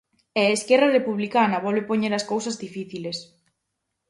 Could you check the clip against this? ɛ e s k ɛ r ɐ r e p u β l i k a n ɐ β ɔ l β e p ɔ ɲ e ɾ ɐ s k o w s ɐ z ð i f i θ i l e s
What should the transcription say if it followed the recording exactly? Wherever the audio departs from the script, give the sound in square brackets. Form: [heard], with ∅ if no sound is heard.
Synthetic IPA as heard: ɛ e s k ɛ r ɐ r e p u β l i k a n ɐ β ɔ l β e p [o] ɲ e ɾ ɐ s k o w s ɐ z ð i f i θ i l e s